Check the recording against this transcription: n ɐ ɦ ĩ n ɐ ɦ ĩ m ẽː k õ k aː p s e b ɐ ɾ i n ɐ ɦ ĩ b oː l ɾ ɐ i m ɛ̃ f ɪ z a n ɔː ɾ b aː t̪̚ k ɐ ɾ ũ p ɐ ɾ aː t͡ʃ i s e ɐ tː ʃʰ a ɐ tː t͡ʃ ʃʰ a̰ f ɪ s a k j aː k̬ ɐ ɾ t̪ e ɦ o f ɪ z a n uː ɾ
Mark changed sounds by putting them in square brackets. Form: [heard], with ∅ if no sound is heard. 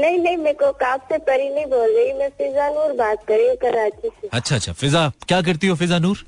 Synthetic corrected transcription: n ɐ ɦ ĩ n ɐ ɦ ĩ m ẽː k [o] k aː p s e [p] ɐ ɾ i n ɐ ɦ ĩ b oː l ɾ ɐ i m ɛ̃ f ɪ z a n [uː] ɾ b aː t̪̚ k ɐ ɾ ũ [k] ɐ ɾ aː t͡ʃ i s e ɐ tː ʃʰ a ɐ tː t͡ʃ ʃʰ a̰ f ɪ [z] a k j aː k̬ ɐ ɾ t̪ [i] ɦ o f ɪ z a n uː ɾ